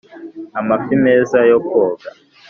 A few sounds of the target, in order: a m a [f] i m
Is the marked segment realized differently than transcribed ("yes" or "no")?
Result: no